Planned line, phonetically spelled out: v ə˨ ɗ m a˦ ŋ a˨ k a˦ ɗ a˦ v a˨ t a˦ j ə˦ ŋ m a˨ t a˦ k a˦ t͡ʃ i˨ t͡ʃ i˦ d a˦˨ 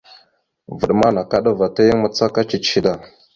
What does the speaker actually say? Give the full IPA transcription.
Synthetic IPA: v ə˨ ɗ m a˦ n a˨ k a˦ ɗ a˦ v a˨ t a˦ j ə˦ ŋ m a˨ t͡s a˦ k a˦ t͡ʃ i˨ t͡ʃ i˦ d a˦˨